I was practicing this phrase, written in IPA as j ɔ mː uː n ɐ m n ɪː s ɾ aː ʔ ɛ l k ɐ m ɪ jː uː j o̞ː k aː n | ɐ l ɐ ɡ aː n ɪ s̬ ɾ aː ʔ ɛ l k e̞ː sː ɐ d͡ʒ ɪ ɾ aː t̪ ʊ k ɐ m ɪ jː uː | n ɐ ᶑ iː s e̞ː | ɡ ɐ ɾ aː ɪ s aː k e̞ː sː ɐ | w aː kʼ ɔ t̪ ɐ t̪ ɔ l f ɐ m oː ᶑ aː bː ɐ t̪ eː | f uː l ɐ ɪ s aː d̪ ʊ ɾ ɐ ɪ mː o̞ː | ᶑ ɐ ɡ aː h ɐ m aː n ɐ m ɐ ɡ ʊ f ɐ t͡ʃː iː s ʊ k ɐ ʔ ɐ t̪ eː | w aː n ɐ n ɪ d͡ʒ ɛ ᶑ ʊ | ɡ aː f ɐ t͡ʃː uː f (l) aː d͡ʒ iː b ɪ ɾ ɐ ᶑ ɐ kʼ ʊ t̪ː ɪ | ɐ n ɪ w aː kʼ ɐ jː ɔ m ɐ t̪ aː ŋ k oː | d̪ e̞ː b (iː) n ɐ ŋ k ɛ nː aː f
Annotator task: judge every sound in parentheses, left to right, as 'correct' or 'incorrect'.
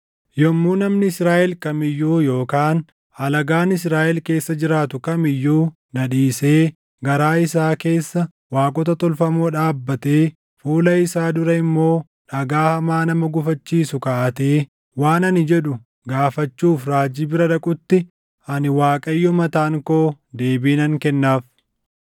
incorrect, correct

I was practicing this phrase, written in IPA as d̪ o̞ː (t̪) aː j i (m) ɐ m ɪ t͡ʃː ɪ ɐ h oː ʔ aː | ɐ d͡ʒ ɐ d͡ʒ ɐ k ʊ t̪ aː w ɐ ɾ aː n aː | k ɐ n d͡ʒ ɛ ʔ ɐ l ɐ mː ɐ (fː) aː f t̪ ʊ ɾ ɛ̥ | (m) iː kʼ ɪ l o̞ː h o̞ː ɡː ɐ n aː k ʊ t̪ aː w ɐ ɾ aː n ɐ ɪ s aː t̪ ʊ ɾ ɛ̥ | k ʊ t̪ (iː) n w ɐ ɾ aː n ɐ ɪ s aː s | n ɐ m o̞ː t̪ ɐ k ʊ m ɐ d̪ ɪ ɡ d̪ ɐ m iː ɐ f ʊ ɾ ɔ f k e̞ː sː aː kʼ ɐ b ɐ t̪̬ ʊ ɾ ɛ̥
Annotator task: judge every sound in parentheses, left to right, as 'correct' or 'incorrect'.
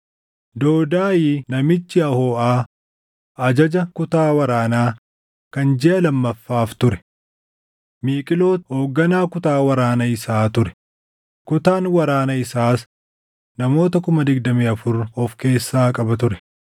incorrect, incorrect, correct, correct, incorrect

